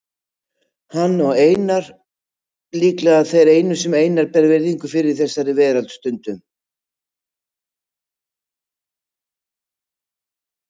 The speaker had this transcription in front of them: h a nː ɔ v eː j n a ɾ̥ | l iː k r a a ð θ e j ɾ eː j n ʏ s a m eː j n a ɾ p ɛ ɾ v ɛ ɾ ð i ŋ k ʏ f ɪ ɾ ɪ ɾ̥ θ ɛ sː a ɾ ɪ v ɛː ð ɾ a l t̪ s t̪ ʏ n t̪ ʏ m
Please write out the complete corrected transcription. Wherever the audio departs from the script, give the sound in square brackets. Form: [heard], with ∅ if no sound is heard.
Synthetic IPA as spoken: h a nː ɔ [ɣ] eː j n a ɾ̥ | l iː k [l] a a ð θ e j ɾ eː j n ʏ s [ɛ] m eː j n a ɾ p ɛ ɾ v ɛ ɾ ð i ŋ k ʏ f ɪ ɾ ɪ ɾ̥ θ ɛ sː a ɾ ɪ v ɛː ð ɾ a l t̪ s t̪ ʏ n t̪ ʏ m